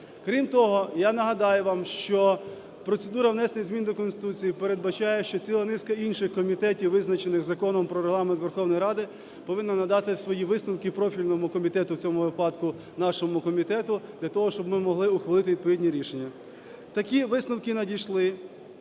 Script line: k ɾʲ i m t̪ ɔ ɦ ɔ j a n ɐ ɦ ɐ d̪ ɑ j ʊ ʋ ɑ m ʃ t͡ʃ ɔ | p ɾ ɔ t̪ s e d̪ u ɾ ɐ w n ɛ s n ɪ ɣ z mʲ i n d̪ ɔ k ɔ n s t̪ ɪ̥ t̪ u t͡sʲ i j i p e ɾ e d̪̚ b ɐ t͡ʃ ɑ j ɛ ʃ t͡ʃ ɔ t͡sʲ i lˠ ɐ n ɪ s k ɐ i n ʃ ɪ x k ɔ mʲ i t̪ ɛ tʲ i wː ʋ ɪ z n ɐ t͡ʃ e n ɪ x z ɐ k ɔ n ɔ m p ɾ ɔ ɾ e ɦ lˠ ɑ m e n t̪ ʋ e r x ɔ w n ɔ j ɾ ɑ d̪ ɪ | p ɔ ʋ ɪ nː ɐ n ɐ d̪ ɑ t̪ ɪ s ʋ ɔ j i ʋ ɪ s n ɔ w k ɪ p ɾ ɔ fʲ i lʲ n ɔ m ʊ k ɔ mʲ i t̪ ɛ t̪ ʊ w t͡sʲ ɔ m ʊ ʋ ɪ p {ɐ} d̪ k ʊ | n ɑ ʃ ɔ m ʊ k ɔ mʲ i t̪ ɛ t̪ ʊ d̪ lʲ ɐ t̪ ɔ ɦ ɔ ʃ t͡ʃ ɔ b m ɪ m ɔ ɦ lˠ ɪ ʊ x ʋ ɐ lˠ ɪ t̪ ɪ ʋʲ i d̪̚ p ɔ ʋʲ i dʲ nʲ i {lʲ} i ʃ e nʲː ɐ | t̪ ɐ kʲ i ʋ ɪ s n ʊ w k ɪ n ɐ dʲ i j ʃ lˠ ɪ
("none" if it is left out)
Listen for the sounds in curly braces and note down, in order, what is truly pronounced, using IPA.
ɑ, ɾʲ

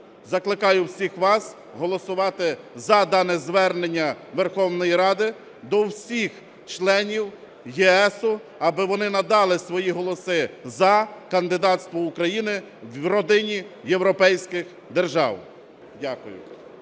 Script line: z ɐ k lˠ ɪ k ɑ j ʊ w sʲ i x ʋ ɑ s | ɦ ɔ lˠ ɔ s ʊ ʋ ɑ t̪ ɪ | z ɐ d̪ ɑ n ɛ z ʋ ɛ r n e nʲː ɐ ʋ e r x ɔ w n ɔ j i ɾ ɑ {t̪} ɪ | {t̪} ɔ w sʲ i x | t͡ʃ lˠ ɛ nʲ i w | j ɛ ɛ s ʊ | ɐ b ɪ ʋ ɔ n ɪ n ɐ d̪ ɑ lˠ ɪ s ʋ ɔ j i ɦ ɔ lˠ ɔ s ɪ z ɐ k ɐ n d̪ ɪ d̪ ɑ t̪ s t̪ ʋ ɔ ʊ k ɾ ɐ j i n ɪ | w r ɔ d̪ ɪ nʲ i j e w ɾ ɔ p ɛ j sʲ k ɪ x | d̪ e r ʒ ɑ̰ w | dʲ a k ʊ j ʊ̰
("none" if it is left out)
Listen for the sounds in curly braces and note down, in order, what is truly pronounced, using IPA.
d̪, d̪

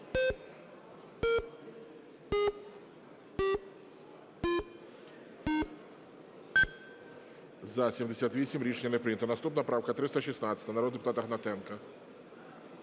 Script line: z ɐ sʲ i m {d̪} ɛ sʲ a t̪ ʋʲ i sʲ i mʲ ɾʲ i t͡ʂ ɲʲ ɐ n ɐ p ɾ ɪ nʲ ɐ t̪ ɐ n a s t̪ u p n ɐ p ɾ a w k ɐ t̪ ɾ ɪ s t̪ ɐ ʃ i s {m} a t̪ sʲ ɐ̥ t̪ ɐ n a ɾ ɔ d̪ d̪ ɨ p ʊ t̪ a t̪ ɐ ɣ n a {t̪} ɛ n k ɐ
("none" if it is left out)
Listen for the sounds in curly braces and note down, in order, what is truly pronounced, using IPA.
d̪, n, t̪

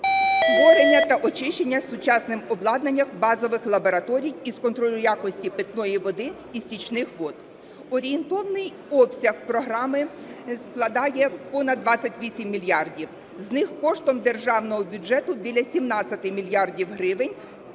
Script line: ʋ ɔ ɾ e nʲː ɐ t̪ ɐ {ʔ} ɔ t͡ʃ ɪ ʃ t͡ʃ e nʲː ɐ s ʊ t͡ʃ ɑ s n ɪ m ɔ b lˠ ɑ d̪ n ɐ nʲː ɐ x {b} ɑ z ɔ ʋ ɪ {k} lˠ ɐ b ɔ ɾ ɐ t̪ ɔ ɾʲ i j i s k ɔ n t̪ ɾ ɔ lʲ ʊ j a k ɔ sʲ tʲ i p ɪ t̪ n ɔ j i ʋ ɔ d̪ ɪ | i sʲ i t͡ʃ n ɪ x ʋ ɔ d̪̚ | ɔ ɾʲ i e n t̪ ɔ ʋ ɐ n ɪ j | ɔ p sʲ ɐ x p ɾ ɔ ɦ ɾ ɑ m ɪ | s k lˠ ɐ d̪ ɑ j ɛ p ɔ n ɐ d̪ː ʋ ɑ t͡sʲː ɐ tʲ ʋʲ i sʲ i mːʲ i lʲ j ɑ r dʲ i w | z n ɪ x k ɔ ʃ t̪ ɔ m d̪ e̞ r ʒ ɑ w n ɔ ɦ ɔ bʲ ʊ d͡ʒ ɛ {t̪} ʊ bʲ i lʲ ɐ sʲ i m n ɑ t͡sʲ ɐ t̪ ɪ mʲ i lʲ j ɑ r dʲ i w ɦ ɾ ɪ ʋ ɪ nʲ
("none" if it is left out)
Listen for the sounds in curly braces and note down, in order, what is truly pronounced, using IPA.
ʔ, b, x, t̪

